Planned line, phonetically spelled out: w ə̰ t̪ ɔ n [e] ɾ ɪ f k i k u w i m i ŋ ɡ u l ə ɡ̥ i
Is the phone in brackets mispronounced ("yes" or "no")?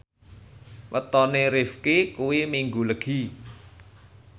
no